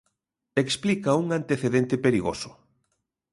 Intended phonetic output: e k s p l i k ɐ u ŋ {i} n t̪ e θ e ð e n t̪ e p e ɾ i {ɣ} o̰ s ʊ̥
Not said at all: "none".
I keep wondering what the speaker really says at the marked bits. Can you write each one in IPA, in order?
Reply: a, ɣ

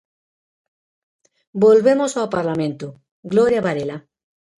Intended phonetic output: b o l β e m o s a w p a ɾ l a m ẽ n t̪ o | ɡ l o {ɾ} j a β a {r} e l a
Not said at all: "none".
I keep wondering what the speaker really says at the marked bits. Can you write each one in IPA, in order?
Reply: ɾ, ɾ

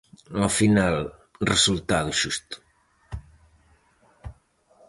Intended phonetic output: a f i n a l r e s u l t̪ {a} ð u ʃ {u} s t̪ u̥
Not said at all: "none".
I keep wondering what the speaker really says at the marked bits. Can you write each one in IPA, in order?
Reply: a, u

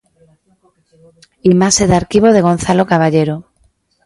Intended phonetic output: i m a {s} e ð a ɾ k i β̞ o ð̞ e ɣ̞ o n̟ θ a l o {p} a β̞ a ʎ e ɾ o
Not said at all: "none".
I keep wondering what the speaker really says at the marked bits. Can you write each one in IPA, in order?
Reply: s, k

